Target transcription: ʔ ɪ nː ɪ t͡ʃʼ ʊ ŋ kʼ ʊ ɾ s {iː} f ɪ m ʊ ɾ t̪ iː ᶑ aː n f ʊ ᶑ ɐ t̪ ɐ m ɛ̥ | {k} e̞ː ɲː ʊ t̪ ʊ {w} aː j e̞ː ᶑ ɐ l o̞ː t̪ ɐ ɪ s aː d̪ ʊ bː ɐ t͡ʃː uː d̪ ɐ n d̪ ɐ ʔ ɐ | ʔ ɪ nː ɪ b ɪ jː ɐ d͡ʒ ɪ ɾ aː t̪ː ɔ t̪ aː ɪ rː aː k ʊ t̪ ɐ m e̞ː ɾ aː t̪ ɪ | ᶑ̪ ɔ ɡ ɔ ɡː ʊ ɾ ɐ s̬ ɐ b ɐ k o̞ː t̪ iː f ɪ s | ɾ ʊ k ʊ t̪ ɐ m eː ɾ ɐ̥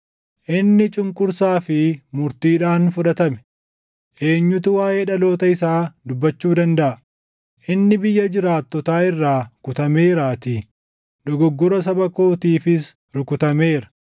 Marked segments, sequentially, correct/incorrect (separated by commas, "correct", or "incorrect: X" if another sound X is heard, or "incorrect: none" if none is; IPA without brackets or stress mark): incorrect: aː, incorrect: ʔ, correct